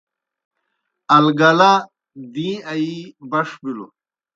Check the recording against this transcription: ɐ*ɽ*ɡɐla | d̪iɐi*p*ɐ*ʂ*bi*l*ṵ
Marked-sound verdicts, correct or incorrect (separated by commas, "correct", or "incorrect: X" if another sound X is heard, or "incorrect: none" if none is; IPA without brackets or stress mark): incorrect: l, incorrect: b, correct, correct